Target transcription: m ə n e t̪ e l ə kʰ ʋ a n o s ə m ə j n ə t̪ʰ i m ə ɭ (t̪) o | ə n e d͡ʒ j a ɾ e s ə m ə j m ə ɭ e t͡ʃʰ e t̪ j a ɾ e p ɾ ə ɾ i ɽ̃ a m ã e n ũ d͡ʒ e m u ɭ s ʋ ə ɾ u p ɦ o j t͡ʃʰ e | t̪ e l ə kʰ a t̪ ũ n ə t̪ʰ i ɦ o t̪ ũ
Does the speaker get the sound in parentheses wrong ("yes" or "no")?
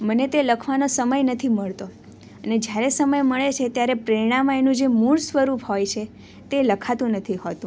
no